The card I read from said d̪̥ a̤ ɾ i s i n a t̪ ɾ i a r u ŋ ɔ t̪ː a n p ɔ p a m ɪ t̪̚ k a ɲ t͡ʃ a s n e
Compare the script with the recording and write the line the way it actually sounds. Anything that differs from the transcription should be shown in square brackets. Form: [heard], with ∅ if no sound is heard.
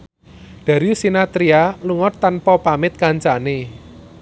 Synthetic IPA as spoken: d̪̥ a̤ ɾ i s i n a t̪ ɾ i a [l] u ŋ ɔ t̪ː a n p ɔ p a m ɪ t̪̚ k a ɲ t͡ʃ a [∅] n e